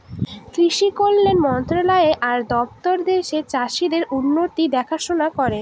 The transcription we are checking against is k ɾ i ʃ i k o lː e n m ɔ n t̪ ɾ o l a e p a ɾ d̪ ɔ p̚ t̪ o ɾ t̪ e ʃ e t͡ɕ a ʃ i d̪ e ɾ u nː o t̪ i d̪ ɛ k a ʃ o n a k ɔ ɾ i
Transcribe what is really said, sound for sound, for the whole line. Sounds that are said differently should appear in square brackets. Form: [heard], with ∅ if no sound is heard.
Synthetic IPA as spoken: k ɾ i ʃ i k o lː e n m ɔ n t̪ ɾ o l a e [ʔ] a ɾ d̪ ɔ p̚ t̪ o ɾ [d̪] e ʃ e t͡ɕ a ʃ i d̪ e ɾ u nː o t̪ i d̪ ɛ [kʰ] a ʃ o n a k ɔ ɾ [e]